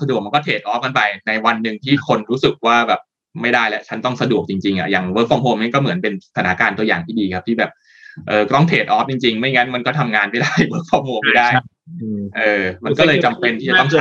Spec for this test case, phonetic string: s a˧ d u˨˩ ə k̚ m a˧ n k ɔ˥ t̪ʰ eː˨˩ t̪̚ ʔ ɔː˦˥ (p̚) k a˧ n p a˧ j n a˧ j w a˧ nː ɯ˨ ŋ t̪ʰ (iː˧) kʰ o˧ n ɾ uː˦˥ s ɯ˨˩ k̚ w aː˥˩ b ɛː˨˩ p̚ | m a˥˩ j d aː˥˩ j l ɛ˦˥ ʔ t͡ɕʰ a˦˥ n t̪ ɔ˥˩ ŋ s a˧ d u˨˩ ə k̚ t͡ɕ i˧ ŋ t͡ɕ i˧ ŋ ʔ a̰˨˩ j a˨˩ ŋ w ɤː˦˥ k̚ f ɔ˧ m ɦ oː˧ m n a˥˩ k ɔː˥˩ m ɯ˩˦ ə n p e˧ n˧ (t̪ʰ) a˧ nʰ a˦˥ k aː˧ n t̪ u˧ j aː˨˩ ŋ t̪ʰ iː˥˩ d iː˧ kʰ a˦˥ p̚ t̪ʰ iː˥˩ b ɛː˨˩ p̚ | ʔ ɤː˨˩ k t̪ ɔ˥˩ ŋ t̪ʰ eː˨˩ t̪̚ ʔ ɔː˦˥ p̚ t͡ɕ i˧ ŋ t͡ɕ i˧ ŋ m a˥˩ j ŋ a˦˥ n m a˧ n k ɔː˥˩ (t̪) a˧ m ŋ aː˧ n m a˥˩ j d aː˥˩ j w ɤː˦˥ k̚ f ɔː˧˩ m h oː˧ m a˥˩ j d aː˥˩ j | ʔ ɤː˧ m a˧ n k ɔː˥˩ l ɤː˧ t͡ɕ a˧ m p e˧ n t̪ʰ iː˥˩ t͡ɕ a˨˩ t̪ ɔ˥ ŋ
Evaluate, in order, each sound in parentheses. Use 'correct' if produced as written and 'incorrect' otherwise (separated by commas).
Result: correct, incorrect, correct, incorrect